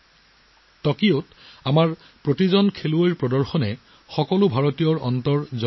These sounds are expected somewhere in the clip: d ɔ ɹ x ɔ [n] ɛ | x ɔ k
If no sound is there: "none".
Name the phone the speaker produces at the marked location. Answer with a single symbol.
n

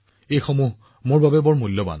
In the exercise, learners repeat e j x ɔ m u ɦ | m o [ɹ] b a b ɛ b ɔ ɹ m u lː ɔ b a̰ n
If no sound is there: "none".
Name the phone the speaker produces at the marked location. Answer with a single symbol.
ɹ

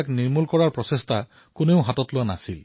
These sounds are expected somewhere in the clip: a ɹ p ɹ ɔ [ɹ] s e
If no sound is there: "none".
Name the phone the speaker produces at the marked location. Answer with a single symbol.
none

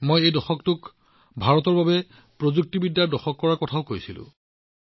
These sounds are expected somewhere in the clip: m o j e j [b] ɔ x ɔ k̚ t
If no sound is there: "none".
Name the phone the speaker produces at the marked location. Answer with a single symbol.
d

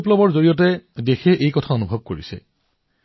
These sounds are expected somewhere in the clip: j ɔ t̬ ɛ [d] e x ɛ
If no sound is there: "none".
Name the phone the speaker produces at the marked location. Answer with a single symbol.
d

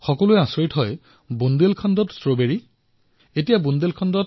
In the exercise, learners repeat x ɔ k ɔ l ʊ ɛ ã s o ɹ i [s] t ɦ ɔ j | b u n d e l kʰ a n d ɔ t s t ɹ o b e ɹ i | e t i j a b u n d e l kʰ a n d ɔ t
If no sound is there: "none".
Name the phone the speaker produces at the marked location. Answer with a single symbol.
none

